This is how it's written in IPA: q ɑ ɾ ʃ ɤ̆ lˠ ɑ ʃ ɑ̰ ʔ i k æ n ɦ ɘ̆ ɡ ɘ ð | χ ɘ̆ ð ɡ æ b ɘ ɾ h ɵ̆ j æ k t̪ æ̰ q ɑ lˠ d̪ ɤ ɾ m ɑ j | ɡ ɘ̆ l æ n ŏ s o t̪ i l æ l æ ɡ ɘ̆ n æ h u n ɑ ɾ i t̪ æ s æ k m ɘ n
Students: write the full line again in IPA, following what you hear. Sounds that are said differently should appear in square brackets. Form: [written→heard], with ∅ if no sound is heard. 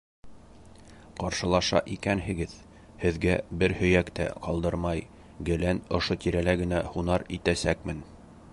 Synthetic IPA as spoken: q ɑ ɾ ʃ ɤ̆ lˠ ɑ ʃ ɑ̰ ʔ i k æ n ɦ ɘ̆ ɡ ɘ ð | [χ→h] ɘ̆ ð ɡ æ b ɘ ɾ h ɵ̆ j æ k t̪ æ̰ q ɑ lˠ d̪ ɤ ɾ m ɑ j | ɡ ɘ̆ l æ n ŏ [s→ʃ] o t̪ i [l→ɾ] æ l æ ɡ ɘ̆ n æ h u n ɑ ɾ i t̪ æ s æ k m ɘ n